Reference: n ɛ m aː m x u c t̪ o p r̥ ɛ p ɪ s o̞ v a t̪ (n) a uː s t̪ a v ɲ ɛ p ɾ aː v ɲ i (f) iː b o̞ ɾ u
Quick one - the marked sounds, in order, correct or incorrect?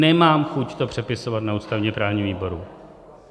correct, incorrect: v

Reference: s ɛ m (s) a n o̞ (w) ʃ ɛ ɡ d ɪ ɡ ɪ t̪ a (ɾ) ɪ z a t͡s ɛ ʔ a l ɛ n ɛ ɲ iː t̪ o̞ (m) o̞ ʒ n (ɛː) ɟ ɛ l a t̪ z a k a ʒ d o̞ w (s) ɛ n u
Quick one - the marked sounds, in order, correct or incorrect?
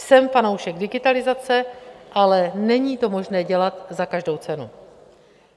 incorrect: f, correct, incorrect: l, correct, correct, incorrect: t͡s

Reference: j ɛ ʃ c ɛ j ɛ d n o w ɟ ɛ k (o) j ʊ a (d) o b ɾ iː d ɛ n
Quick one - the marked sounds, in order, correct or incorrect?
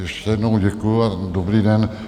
incorrect: u, correct

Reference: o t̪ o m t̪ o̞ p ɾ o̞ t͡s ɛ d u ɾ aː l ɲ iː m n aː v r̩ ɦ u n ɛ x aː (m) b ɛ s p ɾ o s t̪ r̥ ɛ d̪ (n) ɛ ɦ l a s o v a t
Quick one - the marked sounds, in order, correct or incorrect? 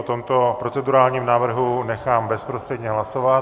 correct, incorrect: ɲ

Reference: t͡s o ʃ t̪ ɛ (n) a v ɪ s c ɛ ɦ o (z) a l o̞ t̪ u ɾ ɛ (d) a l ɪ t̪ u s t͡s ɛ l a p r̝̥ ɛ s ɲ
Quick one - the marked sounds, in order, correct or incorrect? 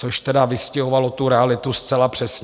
incorrect: d, incorrect: v, incorrect: none

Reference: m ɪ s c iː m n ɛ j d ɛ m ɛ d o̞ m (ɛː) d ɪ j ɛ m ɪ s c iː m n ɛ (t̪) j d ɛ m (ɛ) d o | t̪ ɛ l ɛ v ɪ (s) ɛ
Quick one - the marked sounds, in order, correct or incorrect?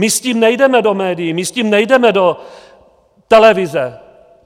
correct, incorrect: none, correct, incorrect: z

